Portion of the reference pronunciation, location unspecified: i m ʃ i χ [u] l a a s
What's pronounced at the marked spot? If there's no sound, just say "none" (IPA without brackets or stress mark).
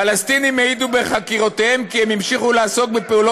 u